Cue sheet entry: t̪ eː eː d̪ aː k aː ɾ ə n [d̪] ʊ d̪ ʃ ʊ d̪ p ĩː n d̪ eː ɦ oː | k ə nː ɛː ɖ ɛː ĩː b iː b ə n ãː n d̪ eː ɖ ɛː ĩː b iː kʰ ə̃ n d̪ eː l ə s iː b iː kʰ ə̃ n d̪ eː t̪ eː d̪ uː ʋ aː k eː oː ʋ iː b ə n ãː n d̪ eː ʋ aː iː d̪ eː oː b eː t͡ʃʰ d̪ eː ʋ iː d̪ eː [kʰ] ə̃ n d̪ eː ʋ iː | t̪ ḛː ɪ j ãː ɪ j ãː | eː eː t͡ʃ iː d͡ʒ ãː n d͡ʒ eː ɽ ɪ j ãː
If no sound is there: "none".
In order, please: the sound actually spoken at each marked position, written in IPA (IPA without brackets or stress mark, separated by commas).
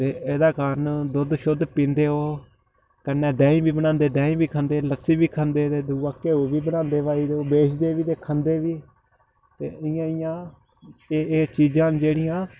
d̪, kʰ